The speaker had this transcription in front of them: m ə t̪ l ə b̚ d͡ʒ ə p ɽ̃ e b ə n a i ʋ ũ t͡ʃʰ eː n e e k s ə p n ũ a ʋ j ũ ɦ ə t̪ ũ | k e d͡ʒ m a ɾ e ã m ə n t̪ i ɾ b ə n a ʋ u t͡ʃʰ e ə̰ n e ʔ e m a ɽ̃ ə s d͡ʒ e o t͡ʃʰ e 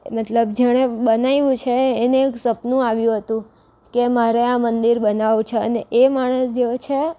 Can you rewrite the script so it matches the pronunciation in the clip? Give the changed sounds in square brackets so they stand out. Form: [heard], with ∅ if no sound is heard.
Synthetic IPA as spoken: m ə t̪ l ə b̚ d͡ʒ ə [∅] ɽ̃ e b ə n a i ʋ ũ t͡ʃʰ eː n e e k s ə p n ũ a ʋ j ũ ɦ ə t̪ ũ | k e [∅] m a ɾ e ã m ə n [d̪] i ɾ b ə n a ʋ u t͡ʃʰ e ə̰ n e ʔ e m a ɽ̃ ə s d͡ʒ e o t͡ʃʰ e